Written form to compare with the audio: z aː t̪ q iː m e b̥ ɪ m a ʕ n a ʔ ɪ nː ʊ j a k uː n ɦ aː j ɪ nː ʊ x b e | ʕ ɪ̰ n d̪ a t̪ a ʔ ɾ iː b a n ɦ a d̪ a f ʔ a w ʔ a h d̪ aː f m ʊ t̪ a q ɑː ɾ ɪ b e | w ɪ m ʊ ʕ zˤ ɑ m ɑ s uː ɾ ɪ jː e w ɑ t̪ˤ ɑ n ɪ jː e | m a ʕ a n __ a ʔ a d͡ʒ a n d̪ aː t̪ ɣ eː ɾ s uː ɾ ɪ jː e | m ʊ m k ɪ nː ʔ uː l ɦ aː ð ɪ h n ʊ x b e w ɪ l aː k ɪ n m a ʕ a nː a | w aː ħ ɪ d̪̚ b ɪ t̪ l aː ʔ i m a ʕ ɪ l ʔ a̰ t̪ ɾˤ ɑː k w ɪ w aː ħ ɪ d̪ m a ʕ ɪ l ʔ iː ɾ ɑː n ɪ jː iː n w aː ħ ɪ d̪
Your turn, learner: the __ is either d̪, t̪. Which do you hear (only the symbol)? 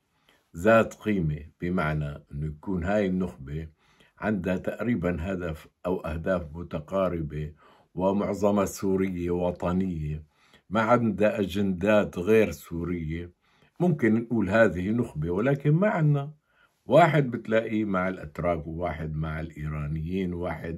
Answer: d̪